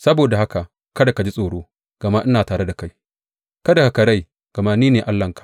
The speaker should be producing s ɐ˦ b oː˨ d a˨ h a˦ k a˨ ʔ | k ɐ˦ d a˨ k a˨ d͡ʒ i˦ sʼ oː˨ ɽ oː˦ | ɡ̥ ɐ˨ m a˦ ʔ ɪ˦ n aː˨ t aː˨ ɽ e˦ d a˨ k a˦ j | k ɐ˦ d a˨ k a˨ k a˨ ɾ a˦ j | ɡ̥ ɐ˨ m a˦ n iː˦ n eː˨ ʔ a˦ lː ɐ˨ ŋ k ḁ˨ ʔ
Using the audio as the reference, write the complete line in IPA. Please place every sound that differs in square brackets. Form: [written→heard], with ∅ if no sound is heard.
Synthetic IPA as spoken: s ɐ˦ b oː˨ d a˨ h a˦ k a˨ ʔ | k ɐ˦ d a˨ k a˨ d͡ʒ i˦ sʼ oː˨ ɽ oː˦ | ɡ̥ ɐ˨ m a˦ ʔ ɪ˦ n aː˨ t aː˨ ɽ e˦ d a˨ k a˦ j | k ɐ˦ d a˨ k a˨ k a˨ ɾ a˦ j | ɡ̥ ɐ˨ m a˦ n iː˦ n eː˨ ʔ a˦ lː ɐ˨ ŋ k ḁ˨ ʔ